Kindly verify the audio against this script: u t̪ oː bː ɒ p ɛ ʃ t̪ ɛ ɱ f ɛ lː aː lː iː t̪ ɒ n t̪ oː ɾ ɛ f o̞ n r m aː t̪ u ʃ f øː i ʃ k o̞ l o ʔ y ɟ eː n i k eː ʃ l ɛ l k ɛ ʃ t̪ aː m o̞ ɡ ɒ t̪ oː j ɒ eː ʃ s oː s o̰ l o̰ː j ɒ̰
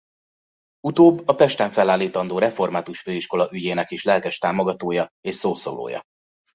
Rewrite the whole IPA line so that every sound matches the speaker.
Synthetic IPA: u t̪ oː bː ɒ p ɛ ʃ t̪ ɛ ɱ f ɛ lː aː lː iː t̪ ɒ n d̪ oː ɾ ɛ f o̞ r m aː t̪ u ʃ f øː i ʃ k o̞ l ɒ ʔ y ɟ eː n ɛ k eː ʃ l ɛ l k ɛ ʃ t̪ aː m o̞ ɡ ɒ t̪ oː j ɒ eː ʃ s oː s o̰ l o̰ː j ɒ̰

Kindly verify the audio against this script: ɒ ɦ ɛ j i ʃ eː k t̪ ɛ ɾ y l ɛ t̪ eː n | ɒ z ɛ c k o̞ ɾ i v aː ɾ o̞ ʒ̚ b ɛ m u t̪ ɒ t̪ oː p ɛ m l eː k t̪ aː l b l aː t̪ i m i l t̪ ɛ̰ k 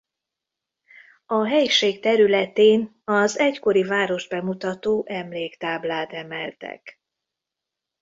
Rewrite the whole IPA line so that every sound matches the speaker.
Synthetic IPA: ɒ ɦ ɛ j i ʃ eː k t̪ ɛ ɾ y l ɛ t̪ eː n | ɒ z ɛ c k o̞ ɾ i v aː ɾ o̞ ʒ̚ b ɛ m u t̪ ɒ t̪ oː ʔ ɛ m l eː k t̪ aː b l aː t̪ ɛ m ɛ l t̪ ɛ̰ k

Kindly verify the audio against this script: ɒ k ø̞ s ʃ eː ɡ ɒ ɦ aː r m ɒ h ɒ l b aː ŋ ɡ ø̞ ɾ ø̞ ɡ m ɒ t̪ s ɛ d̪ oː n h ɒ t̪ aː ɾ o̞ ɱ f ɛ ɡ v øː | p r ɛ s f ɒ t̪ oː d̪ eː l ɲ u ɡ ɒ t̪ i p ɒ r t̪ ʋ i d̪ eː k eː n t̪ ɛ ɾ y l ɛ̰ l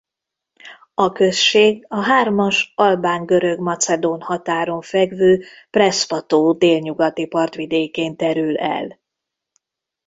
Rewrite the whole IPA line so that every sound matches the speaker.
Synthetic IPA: ɒ k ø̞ s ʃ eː ɡ ɒ ɦ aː r m ɒ ʃ ɒ l b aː ŋ ɡ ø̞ ɾ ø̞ ɡ m ɒ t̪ s ɛ d̪ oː n h ɒ t̪ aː ɾ o̞ ɱ f ɛ ɡ v øː | p r ɛ s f ɒ t̪ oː d̪ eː l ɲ u ɡ ɒ t̪ i p ɒ r t̪ ʋ i d̪ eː k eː n t̪ ɛ ɾ y l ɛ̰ l

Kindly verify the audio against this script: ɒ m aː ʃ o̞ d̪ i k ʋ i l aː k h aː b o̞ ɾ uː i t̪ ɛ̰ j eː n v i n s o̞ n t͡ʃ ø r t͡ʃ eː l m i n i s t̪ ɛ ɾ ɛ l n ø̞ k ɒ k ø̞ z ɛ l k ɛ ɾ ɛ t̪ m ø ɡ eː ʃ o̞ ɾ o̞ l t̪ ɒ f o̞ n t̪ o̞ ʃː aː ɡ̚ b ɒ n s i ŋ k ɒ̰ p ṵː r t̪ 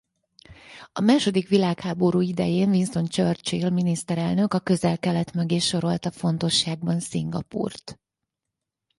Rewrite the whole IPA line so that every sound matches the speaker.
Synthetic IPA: ɒ m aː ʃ o̞ d̪ i k ʋ i l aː k h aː b o̞ ɾ uː i d̪ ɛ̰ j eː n v i n s o̞ n t͡ʃ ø r t͡ʃ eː l m i n i s t̪ ɛ ɾ ɛ l n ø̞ k ɒ k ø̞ z ɛ l k ɛ l ɛ t̪ m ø ɡ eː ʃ o̞ ɾ o̞ l t̪ ɒ f o̞ n t̪ o̞ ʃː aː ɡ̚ b ɒ n s i ŋ ɡ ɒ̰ p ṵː r t̪

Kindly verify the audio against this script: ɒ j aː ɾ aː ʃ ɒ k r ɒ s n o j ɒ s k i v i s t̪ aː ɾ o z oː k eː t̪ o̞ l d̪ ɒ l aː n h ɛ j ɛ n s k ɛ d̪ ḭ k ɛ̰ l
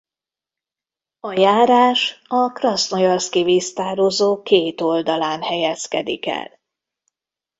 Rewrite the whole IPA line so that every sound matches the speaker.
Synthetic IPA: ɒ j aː ɾ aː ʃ ɒ k r ɒ s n o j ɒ s k i v i s t̪ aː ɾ o z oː k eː t̪ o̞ l d̪ ɒ l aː n h ɛ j ɛ s k ɛ d̪ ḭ k ɛ̰ l

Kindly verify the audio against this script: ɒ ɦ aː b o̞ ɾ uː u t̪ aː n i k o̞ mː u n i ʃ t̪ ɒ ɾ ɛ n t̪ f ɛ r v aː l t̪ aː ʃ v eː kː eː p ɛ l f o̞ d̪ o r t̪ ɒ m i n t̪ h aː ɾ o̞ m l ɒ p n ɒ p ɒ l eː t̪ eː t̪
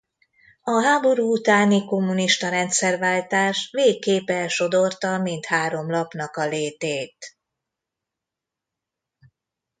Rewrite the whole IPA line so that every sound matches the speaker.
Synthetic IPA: ɒ ɦ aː b o̞ ɾ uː u t̪ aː n i k o̞ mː u n i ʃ t̪ ɒ ɾ ɛ n t̪ s ɛ r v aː l t̪ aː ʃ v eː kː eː p ɛ l ʃ o̞ d̪ o r t̪ ɒ m i n t̪ h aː ɾ o̞ m l ɒ p n ɒ k ɒ l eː t̪ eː t̪

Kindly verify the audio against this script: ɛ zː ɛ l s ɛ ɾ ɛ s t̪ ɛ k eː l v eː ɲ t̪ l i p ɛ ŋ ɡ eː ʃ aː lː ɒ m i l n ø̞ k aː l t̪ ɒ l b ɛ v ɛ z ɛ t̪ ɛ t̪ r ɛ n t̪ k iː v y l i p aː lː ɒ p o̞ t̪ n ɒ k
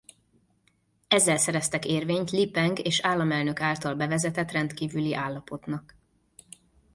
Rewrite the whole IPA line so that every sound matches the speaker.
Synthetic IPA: ɛ zː ɛ l s ɛ ɾ ɛ s t̪ ɛ k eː r v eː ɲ t̪ l i p ɛ ŋ ɡ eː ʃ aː lː ɒ m ɛ l n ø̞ k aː l t̪ ɒ l b ɛ v ɛ z ɛ t̪ ɛ t̪ r ɛ n t̪ k iː v y l i ʔ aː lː ɒ p o̞ t̪ n ɒ k

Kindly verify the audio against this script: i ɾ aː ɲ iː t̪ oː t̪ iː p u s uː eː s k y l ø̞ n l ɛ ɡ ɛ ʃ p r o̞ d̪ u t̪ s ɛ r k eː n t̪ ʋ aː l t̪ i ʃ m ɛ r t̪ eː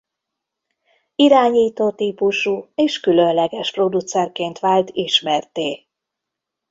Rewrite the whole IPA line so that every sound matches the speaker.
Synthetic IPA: i ɾ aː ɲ iː t̪ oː t̪ iː p u ʃ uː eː ʃ k y l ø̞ n l ɛ ɡ ɛ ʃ p r o̞ d̪ u t̪ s ɛ r k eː n t̪ ʋ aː l t̪ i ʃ m ɛ r t̪ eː

